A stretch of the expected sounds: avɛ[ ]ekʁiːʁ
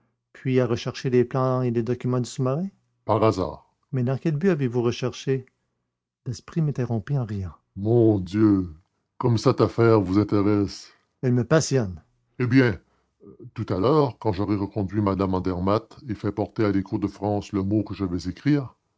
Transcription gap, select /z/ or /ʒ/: z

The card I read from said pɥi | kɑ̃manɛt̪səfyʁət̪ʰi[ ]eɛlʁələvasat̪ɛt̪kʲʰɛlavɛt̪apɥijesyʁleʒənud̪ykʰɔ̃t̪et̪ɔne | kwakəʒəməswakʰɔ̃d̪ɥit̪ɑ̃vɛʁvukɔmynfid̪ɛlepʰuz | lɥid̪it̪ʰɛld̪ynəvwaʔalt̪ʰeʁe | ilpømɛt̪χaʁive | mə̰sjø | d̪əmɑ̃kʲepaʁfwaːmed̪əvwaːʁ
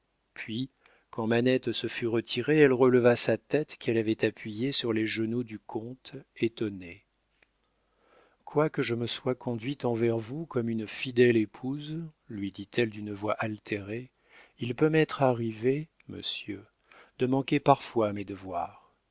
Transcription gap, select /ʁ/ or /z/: ʁ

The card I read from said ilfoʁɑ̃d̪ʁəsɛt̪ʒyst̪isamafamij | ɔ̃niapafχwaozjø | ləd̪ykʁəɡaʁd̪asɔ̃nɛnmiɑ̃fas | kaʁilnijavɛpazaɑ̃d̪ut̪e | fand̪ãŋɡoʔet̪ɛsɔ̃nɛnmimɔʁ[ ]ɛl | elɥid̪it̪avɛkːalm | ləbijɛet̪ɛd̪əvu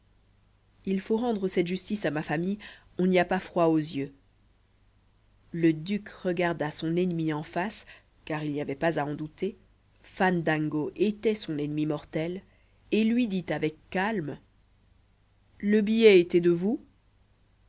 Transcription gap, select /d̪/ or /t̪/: t̪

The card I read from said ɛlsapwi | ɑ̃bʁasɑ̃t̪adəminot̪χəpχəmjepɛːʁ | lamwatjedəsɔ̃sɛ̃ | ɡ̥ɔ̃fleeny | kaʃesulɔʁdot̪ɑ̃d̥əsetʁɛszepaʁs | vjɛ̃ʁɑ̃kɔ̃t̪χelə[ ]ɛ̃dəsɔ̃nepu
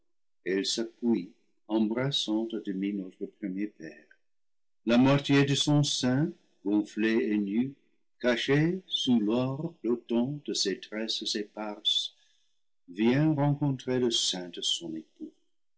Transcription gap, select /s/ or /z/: s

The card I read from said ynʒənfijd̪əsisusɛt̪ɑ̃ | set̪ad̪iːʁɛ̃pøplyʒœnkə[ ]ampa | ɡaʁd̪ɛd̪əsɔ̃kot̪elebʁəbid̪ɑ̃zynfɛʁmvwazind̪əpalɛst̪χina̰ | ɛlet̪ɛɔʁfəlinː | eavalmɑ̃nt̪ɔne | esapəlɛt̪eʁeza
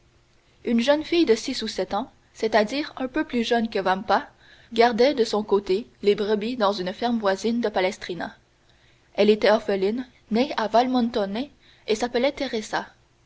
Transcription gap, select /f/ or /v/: v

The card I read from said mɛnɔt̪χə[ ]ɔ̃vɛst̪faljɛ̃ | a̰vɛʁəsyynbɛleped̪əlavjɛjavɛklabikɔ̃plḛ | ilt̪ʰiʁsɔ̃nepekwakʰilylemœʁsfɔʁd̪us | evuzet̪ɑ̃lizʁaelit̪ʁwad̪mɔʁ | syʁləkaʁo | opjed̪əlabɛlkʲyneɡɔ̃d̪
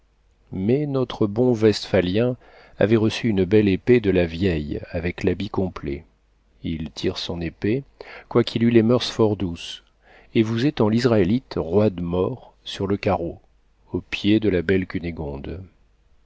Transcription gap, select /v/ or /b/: b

